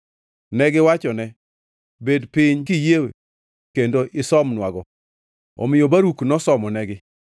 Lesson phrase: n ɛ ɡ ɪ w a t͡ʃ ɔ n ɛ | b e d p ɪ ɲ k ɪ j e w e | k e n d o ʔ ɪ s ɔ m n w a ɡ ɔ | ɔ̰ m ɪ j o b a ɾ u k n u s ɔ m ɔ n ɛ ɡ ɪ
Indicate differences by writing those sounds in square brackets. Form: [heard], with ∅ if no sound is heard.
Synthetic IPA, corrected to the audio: n ɛ ɡ ɪ w a t͡ʃ ɔ n ɛ | b e d p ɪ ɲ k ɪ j e w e | k e n d o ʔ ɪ s ɔ m n w a ɡ ɔ | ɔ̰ m ɪ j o b a ɾ u k n [ɔ] s ɔ m ɔ n ɛ ɡ ɪ

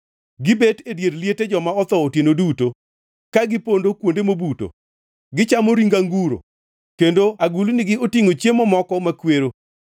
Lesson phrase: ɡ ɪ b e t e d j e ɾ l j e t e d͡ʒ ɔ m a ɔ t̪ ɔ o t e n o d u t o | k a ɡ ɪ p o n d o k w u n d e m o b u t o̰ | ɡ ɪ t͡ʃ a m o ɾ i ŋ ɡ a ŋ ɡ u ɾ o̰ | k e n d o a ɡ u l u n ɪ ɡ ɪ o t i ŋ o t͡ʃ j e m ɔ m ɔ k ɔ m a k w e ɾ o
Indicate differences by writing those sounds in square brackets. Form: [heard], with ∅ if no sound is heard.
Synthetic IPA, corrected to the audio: ɡ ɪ b e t e d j e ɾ l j e t e d͡ʒ ɔ m a ɔ t̪ ɔ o t e n o d u t o | k a ɡ ɪ p o n d o k w [o] n d e m o b u t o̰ | ɡ ɪ t͡ʃ a m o ɾ i ŋ ɡ a ŋ ɡ u ɾ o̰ | k e n d o a ɡ u l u n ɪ ɡ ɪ o t i ŋ o t͡ʃ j e m ɔ m ɔ k ɔ m a k w e ɾ o

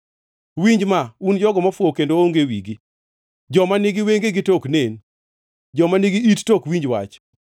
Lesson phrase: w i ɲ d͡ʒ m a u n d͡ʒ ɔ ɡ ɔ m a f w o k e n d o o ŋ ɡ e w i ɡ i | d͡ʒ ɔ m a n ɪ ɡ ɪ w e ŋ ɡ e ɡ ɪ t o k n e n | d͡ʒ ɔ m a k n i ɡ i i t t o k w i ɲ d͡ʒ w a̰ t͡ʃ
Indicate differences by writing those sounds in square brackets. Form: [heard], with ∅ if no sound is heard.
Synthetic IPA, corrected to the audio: w i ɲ d͡ʒ m a u n d͡ʒ ɔ ɡ ɔ m a f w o k e n d o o ŋ ɡ e w i ɡ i | d͡ʒ ɔ m a n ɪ ɡ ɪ w e ŋ ɡ e ɡ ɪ t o k n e n | d͡ʒ ɔ m a [∅] n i ɡ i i t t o k w i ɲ d͡ʒ w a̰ t͡ʃ

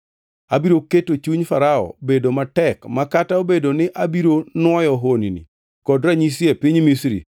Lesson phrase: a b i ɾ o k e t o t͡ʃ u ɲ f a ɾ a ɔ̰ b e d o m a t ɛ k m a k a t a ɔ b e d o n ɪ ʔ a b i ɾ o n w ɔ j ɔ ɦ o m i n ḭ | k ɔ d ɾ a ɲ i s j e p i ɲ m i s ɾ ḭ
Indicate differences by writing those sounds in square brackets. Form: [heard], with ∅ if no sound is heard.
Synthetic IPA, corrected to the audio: a b i ɾ o k e t o t͡ʃ u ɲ f a ɾ a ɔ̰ b e d o m a t ɛ k m a k a t a [o] b e d o n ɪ ʔ a b i ɾ o n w ɔ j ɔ ɦ o [n] i n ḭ | k ɔ d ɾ a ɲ i s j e p i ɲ m i s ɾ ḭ

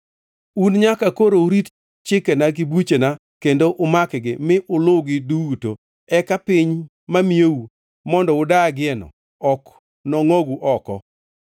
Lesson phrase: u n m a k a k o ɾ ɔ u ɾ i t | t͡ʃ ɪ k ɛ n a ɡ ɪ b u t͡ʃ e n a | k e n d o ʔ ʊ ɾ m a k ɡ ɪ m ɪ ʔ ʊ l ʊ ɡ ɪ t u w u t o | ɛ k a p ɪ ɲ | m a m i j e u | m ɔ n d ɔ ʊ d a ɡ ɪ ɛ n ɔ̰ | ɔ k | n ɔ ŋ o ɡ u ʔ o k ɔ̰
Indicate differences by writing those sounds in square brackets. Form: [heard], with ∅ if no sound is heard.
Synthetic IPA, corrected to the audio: u n [ɲ] a k a k o ɾ [o] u ɾ i t | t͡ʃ ɪ k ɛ n a ɡ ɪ b u t͡ʃ e n a | k e n d o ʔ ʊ [∅] m a k ɡ ɪ m ɪ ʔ ʊ l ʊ ɡ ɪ [d] u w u t o | ɛ k a p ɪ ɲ | m a m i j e u | m ɔ n d ɔ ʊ d a ɡ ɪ ɛ n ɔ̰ | ɔ k | n ɔ ŋ o ɡ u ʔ [ɔ] k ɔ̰

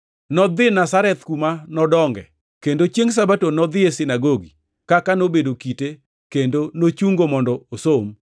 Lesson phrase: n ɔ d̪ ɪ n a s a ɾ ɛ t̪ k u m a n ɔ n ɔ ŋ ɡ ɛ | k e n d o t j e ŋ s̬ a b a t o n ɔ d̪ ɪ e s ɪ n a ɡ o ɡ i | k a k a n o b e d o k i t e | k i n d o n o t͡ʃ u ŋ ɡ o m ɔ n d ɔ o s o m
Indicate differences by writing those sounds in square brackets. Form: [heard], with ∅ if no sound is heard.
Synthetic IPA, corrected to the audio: n ɔ d̪ ɪ n a s a ɾ ɛ t̪ k u m a n ɔ [d] ɔ ŋ ɡ ɛ | k e n d o [t͡ʃ] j e ŋ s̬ a b a t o n ɔ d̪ ɪ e s ɪ n a ɡ o ɡ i | k a k a n o b e d o k i t e | k [e] n d o n o t͡ʃ u ŋ ɡ o m ɔ n d ɔ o s o m

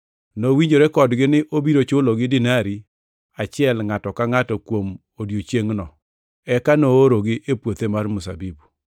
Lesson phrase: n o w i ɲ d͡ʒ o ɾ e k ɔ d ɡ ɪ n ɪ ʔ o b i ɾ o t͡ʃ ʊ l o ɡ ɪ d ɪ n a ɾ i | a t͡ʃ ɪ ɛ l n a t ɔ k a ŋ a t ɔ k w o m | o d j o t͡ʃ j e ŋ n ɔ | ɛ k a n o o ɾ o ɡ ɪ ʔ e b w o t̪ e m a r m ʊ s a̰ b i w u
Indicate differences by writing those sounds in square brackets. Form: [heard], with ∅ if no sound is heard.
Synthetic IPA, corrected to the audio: n o w i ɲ d͡ʒ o ɾ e k ɔ d ɡ ɪ n ɪ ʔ o b i ɾ o t͡ʃ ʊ l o ɡ ɪ d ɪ n a ɾ i | a t͡ʃ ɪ ɛ l [ŋ] a t ɔ k a ŋ a t ɔ k w o m | o d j o t͡ʃ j e ŋ n ɔ | ɛ k a n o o ɾ o ɡ ɪ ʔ e [p] w o t̪ e m a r m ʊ s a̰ b i [b] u

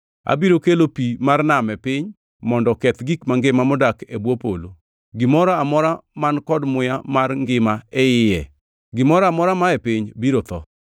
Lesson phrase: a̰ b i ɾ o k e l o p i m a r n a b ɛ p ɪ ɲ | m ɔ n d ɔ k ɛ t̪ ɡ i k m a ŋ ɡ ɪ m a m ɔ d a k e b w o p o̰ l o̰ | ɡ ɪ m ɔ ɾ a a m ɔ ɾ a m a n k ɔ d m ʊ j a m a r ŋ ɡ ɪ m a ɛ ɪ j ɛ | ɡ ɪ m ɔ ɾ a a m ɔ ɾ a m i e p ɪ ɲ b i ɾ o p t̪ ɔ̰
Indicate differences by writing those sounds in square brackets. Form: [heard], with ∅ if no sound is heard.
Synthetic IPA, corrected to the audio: a̰ b i ɾ o k e l o p i m a r n a [m] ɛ p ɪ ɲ | m ɔ n d ɔ k ɛ t̪ ɡ i k m a ŋ ɡ ɪ m a m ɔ d a k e b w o p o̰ l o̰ | ɡ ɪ m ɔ ɾ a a m ɔ ɾ a m a n k ɔ d m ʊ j a m a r ŋ ɡ ɪ m a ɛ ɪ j ɛ | ɡ ɪ m ɔ ɾ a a m ɔ ɾ a m [a] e p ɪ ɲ b i ɾ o [∅] t̪ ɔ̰

